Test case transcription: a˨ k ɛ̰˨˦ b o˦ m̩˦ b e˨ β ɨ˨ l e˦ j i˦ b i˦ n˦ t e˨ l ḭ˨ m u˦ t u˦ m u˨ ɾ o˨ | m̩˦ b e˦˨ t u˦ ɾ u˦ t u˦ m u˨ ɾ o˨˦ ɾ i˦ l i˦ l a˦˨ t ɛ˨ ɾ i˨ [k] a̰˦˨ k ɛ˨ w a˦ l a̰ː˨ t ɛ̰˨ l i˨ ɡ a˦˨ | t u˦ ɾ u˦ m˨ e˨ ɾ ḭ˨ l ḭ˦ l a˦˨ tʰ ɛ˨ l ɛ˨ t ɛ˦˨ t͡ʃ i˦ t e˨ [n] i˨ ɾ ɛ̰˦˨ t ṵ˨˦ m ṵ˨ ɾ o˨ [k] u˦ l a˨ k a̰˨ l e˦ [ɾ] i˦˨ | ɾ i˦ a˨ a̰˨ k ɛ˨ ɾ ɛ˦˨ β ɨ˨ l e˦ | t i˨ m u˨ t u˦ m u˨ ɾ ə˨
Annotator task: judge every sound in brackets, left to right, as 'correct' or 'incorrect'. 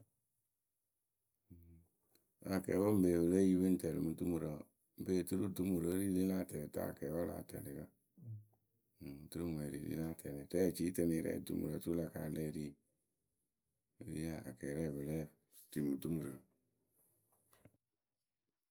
incorrect, correct, incorrect, correct

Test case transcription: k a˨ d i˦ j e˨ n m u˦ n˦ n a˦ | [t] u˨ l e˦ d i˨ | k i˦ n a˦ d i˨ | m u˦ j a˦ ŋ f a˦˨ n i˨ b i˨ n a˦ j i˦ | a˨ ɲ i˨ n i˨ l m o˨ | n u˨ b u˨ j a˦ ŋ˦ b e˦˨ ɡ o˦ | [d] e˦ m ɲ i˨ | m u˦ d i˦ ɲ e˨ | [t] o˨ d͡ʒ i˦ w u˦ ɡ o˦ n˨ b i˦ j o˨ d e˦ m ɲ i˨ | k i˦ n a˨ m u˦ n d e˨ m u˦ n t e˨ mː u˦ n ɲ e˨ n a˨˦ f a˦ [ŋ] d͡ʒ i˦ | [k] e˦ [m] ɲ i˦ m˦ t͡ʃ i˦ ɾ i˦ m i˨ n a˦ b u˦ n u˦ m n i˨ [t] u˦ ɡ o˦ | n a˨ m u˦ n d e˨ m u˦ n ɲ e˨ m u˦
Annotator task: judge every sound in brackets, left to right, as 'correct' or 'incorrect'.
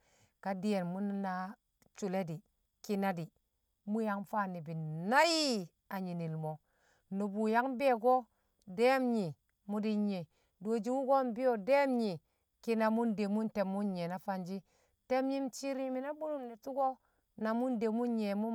incorrect, correct, incorrect, incorrect, incorrect, correct, correct

